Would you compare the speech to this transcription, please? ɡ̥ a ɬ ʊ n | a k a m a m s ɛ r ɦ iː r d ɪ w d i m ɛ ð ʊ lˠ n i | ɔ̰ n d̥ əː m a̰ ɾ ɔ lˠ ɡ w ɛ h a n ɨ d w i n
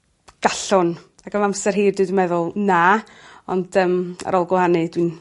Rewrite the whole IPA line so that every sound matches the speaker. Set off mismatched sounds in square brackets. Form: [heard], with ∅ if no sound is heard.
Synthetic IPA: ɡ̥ a ɬ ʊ n | a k [ə] m a m s ɛ r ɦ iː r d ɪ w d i m ɛ ð ʊ lˠ n [a] | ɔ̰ n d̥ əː m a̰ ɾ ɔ lˠ ɡ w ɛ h a n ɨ d w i n